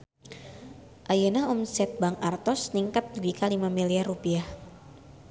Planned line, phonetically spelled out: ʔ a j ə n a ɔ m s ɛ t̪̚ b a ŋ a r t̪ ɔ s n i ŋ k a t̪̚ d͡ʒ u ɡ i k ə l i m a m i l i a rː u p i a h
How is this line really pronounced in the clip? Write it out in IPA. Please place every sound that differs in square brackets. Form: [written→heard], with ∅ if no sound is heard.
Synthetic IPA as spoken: ʔ a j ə n a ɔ m s ɛ t̪̚ b a ŋ a r t̪ ɔ s n i ŋ k a t̪̚ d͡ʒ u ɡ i k [ə→a] l i m a m i l i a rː u p i a h